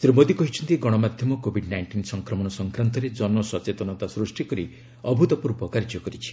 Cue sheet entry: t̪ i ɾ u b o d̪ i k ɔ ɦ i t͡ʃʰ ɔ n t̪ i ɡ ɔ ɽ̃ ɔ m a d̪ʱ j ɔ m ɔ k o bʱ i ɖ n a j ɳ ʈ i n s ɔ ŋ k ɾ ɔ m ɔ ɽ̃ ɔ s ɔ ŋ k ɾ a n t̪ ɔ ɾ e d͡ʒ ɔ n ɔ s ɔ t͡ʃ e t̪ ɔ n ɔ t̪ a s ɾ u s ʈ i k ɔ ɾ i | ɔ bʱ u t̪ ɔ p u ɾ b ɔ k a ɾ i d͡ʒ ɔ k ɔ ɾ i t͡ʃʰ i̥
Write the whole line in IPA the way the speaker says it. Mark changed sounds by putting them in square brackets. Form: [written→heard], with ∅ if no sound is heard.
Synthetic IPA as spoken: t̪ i ɾ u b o d̪ i k ɔ ɦ i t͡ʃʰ ɔ n t̪ i ɡ ɔ ɽ̃ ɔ m a d̪ʱ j ɔ m ɔ k o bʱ i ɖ n a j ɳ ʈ i n s ɔ ŋ k ɾ ɔ m ɔ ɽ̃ ɔ s ɔ ŋ k ɾ a n t̪ ɔ ɾ e d͡ʒ ɔ n ɔ s ɔ t͡ʃ e t̪ ɔ n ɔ t̪ a s ɾ u s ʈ i k ɔ ɾ i | ɔ bʱ u t̪ ɔ p u ɾ b ɔ k a ɾ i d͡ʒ ɔ k ɔ ɾ i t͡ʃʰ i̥